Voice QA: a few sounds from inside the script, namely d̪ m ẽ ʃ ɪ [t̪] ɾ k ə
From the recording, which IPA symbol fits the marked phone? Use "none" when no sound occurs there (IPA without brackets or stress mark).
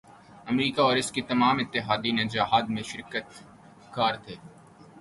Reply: none